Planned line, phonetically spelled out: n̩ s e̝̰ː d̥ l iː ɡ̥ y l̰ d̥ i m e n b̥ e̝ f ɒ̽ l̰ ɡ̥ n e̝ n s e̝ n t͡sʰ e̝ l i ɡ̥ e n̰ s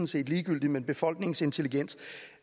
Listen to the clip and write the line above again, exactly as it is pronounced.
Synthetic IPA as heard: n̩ s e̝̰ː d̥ l iː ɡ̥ y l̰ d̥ i m e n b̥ e̝ f ɒ̽ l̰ ɡ̥ n e̝ ŋ s e̝ n t͡sʰ e̝ l i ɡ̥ e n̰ s